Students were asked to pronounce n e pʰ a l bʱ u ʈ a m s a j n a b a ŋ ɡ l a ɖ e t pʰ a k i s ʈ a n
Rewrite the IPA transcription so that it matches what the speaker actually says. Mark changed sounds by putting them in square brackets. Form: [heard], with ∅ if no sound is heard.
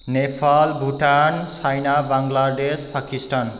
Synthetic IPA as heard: n e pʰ a l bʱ u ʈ a [n] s a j n a b a ŋ ɡ l a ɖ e [s] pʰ a k i s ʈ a n